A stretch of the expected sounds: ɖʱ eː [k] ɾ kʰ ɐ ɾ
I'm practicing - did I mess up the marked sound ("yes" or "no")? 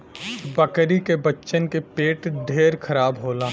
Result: yes